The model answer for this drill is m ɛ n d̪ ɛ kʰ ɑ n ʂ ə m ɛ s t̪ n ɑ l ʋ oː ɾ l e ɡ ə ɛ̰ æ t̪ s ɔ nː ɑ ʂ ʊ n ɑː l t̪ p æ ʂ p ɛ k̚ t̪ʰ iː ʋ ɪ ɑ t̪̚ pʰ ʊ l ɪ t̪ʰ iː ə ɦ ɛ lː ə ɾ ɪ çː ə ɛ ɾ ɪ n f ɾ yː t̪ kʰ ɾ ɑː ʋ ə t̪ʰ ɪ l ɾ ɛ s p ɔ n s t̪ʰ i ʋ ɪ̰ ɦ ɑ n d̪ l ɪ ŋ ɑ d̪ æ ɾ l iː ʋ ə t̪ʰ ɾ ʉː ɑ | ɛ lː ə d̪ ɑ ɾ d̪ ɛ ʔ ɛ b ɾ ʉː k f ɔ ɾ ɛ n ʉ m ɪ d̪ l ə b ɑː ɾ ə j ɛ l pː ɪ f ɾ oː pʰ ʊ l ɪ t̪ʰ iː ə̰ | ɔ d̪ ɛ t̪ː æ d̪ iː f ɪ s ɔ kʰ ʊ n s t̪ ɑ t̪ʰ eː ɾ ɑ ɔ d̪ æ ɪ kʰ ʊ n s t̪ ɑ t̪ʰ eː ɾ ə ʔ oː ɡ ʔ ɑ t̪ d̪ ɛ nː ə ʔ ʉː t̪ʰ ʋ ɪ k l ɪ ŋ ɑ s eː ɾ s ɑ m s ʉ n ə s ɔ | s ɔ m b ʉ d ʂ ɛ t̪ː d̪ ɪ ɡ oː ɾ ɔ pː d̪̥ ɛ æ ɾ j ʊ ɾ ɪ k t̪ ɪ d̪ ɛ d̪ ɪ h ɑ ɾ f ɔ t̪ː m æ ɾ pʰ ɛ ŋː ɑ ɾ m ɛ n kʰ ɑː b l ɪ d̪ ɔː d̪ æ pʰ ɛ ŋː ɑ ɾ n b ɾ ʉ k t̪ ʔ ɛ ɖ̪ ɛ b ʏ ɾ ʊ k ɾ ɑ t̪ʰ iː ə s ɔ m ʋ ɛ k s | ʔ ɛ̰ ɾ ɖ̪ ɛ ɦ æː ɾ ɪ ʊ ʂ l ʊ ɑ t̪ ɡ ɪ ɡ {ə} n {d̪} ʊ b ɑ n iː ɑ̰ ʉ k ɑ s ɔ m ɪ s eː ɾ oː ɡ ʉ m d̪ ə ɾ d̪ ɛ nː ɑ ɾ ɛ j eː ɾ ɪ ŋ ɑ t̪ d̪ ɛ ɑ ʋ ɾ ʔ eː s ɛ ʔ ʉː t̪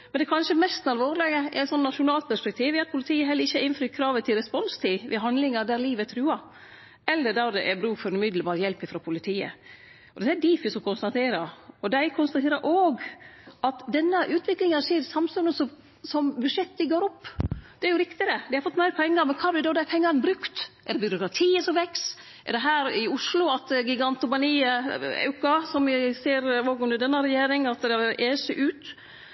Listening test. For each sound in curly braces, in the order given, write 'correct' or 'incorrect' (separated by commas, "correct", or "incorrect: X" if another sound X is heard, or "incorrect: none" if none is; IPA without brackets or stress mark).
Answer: incorrect: ɑ, incorrect: t̪